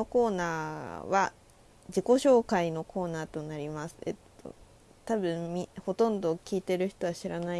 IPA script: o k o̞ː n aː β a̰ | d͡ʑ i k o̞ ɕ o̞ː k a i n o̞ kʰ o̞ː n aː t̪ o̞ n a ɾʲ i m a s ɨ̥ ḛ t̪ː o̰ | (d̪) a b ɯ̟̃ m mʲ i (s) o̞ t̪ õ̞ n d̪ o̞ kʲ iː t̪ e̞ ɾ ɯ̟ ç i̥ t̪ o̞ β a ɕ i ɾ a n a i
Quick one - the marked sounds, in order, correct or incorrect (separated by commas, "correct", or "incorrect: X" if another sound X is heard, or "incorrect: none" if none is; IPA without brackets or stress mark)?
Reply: incorrect: t̪, incorrect: h